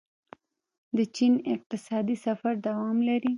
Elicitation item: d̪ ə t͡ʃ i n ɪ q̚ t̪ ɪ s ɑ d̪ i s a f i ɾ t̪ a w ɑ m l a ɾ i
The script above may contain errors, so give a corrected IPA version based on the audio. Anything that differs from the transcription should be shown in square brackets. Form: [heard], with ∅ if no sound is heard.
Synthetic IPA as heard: d̪ ə t͡ʃ i n ɪ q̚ t̪ ɪ s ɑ d̪ i s a f [a] ɾ [d̪] a w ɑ m l a ɾ i

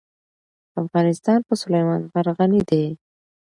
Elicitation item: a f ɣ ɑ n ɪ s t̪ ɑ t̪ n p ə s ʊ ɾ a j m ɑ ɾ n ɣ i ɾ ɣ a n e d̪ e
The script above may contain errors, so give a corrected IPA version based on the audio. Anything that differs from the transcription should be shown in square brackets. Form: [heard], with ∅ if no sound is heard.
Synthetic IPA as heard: a f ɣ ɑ n ɪ s t̪ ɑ [∅] n p ə s ʊ [l] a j m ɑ [∅] n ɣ [a] ɾ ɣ a n [i] d̪ e

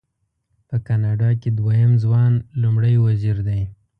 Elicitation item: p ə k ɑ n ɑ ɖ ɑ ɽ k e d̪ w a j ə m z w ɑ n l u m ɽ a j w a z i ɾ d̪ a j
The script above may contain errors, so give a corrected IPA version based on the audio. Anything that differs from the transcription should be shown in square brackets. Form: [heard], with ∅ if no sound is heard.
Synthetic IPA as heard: p ə k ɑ n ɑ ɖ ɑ [∅] k e d̪ w a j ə m z w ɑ n l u m ɽ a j w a z i ɾ d̪ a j

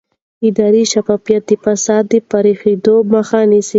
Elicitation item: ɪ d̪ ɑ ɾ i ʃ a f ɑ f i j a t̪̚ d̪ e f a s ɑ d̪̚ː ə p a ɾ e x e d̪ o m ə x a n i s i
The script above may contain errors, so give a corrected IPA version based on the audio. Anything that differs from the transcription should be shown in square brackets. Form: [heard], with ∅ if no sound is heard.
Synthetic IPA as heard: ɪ d̪ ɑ ɾ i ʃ a f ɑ f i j a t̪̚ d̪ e f a s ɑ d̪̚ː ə p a ɾ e x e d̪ o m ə x a n i s i

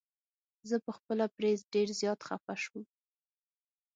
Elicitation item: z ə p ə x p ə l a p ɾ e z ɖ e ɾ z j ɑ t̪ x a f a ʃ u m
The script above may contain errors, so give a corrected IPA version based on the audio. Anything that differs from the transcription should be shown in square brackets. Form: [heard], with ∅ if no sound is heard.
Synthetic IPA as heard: z ə p ə x p ə l a p ɾ e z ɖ e ɾ z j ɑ t̪ x a f a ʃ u m

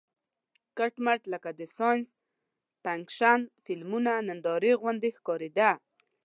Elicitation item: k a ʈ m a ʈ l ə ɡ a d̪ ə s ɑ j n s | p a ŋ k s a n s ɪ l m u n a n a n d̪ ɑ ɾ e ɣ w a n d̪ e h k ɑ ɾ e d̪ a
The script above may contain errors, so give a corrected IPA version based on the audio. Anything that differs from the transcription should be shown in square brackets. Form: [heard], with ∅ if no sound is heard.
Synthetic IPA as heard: k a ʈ m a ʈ l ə [k] a d̪ ə s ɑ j n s | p a ŋ k [ʃ] a n [f] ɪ l m u n a n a n d̪ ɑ ɾ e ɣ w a n d̪ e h k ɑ ɾ e d̪ a

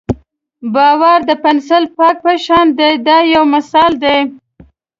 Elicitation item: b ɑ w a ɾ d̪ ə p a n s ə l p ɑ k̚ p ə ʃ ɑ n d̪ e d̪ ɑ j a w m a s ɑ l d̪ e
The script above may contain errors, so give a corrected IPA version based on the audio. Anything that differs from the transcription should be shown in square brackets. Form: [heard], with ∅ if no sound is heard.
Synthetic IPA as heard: b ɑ w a ɾ d̪ ə p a n s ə l p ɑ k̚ p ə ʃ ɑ n d̪ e d̪ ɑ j a w m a s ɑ l d̪ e

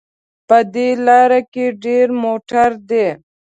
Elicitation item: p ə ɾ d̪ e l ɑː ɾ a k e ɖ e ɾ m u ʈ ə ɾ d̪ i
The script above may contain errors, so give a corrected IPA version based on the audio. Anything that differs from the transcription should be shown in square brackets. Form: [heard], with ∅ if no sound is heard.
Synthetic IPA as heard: p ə [∅] d̪ e l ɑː ɾ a k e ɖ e ɾ m [o] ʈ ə ɾ d̪ [e]

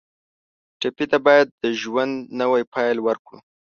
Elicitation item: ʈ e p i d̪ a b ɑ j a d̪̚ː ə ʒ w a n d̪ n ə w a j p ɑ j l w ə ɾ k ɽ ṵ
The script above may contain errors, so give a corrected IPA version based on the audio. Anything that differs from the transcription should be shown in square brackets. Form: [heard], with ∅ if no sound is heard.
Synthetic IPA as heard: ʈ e p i [t̪] a b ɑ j a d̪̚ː ə ʒ w a n d̪ n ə w a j p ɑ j l w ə ɾ k ɽ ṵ

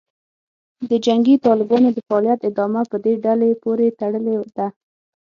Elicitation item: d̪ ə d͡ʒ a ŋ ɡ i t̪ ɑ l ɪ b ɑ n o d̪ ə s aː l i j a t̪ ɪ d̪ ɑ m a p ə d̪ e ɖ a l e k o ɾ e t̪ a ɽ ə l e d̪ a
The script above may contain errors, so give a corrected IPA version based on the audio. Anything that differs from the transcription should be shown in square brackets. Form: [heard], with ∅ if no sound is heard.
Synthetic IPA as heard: d̪ ə d͡ʒ a ŋ ɡ i t̪ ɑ l ɪ b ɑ n o d̪ ə [f] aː l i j a t̪ ɪ d̪ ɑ m a p ə d̪ e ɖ a l e [p] o ɾ e t̪ a ɽ ə l e d̪ a

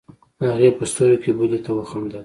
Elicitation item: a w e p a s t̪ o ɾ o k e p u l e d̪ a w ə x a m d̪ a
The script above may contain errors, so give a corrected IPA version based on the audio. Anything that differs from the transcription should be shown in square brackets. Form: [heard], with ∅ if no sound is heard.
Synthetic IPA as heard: a [ɣ] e p [ə] s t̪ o ɾ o k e [b] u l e [t̪] a w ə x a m d̪ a

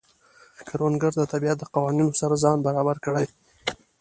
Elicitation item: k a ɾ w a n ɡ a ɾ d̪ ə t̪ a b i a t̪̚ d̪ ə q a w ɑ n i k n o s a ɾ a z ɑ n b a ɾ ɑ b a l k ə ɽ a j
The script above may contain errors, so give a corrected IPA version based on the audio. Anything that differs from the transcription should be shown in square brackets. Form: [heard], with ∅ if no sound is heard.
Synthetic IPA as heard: k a ɾ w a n ɡ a ɾ d̪ ə t̪ a b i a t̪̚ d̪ ə q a w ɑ n i [∅] n o s a ɾ a z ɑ n b a ɾ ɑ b a [ɾ] k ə ɽ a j

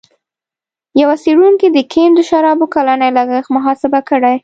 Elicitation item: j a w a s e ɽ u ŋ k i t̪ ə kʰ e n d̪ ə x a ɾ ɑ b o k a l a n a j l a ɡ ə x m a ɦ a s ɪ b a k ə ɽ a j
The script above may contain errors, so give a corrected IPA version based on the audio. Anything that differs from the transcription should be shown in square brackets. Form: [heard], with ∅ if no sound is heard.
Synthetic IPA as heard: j a w a s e ɽ u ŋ k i [d̪] ə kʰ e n d̪ ə [ʃ] a ɾ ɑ b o k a l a n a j l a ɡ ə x m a ɦ [ɑ] s ɪ b a k ə ɽ a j

